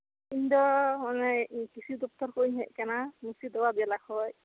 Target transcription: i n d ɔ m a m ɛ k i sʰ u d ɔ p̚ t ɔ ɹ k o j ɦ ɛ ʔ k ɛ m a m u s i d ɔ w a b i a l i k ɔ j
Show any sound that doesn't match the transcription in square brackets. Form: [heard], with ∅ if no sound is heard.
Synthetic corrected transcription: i n d ɔ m a [n] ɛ k i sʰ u d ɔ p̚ t ɔ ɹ k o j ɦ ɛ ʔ k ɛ [n] a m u s i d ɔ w a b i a l [a] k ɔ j